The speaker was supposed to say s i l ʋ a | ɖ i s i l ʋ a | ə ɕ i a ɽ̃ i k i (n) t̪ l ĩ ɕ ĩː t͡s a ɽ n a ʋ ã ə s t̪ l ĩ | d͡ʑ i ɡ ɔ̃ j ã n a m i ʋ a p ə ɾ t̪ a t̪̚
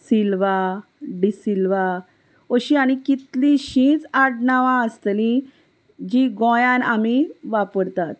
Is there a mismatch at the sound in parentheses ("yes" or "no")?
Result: yes